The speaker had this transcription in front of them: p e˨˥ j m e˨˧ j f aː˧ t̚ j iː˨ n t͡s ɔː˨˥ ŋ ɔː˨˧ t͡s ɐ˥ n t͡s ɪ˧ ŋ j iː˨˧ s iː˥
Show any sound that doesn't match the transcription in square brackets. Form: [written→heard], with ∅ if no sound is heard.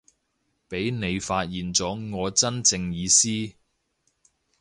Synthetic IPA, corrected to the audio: p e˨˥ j [m→n] e˨˧ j f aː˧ t̚ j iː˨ n t͡s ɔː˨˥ ŋ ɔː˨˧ t͡s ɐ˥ n t͡s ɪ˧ ŋ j iː˨˧ s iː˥